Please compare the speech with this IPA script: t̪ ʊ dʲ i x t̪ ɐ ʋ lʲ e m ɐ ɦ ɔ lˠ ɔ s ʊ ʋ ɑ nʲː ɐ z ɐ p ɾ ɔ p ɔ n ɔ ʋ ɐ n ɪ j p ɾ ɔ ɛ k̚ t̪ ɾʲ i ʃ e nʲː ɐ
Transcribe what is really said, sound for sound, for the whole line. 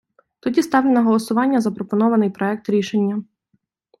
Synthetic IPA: t̪ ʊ dʲ i s t̪ ɑ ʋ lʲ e n ɐ ɦ ɔ lˠ ɔ s ʊ ʋ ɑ nʲː ɐ z ɐ p ɾ ɔ p ɔ n ɔ ʋ ɐ n ɪ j p ɾ ɔ ɛ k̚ t̪ ɾʲ i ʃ e nʲː ɐ